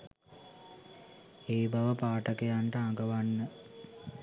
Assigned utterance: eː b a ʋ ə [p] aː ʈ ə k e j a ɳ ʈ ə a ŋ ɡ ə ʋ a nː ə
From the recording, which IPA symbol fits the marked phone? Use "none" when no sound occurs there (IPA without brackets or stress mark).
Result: p